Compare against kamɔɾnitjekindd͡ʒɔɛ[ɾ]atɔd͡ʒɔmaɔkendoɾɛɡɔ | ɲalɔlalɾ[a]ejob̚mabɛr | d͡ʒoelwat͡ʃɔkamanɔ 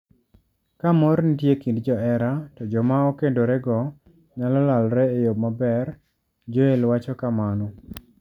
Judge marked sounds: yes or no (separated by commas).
yes, no